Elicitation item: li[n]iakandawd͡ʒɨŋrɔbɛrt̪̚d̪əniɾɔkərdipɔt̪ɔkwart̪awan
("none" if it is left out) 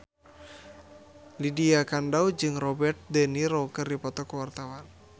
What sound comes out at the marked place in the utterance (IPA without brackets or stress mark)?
d